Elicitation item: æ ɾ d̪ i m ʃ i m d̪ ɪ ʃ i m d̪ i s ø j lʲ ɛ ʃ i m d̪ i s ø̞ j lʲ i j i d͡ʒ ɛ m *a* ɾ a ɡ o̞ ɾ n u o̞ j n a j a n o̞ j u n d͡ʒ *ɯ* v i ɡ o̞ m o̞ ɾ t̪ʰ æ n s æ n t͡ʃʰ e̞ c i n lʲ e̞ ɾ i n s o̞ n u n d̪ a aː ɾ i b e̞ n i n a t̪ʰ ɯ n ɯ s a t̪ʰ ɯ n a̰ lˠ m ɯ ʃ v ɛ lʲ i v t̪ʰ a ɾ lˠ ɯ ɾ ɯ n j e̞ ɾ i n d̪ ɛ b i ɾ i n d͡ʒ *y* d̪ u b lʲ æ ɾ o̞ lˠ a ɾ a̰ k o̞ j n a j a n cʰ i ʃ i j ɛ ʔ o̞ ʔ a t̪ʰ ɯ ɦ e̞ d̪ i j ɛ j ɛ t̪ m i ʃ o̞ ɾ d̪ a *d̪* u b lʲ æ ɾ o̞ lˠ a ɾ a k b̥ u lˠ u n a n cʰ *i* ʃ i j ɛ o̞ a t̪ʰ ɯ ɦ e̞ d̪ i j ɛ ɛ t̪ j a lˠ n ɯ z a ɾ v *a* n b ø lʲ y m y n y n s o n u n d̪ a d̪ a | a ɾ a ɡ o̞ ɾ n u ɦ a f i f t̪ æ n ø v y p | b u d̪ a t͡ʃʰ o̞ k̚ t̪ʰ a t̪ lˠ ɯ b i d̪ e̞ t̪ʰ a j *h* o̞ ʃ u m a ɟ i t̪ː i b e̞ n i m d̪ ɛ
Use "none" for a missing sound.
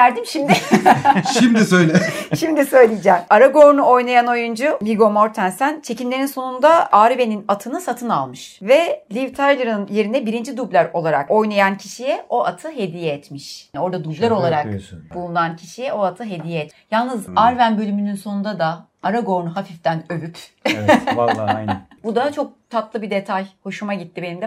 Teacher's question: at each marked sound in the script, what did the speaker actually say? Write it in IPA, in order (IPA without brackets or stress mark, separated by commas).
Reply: a, u, i, d̪, i, æ, h